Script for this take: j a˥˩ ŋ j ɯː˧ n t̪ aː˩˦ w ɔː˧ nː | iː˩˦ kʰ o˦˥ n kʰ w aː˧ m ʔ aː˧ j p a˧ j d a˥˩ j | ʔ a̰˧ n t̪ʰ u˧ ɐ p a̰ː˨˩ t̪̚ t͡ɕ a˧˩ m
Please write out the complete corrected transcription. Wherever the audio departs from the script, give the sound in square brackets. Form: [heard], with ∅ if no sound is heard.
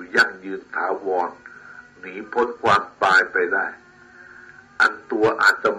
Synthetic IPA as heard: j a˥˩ ŋ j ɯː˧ n [t̪ʰ] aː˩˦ w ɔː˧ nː | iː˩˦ [pʰ] o˦˥ n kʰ w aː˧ m [p] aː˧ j p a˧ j d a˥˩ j | ʔ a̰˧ n [t̪] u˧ ɐ [ʔ] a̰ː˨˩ t̪̚ t͡ɕ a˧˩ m